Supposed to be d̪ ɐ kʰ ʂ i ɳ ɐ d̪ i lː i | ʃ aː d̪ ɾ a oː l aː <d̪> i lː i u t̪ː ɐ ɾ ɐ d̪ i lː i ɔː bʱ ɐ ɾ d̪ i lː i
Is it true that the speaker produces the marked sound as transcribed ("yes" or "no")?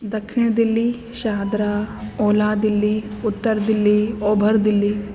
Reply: yes